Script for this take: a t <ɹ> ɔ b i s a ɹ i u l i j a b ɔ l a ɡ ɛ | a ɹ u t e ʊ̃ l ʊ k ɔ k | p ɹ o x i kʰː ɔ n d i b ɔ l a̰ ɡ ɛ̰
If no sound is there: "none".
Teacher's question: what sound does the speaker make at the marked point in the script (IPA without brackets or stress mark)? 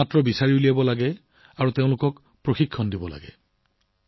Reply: ɹ